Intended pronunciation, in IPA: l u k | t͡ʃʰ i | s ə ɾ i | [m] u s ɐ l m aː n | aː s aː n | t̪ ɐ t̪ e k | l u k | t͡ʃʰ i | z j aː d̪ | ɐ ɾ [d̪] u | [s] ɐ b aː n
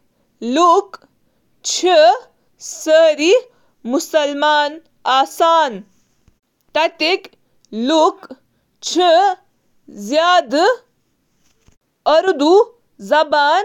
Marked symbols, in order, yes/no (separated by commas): yes, yes, no